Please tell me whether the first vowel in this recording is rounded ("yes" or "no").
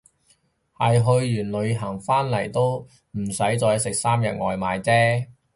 no